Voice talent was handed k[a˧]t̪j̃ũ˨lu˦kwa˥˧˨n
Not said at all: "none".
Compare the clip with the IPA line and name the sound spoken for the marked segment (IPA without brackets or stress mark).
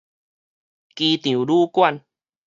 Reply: i˧